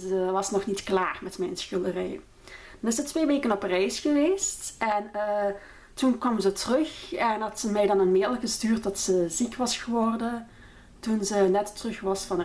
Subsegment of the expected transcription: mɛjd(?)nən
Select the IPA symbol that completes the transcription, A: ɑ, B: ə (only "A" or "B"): A